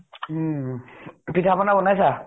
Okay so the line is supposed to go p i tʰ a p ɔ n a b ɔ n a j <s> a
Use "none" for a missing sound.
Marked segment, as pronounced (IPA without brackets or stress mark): s